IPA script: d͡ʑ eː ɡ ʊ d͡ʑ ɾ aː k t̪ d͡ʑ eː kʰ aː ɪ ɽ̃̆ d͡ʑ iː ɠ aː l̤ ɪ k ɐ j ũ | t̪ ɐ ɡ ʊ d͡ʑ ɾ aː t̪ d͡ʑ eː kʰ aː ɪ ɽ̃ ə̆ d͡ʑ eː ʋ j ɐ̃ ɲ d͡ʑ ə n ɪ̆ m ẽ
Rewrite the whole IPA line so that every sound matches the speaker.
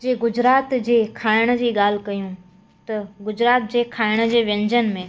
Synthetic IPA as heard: d͡ʑ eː ɡ ʊ d͡ʑ ɾ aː t̪ d͡ʑ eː kʰ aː ɪ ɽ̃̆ d͡ʑ iː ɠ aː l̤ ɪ k ɐ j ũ | t̪ ɐ ɡ ʊ d͡ʑ ɾ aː t̪ d͡ʑ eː kʰ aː ɪ ɽ̃ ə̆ d͡ʑ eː ʋ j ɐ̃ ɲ d͡ʑ ə n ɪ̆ m ẽ